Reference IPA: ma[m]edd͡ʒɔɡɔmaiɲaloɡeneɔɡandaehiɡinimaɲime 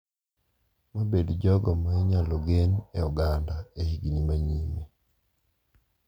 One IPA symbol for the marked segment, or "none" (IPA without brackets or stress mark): b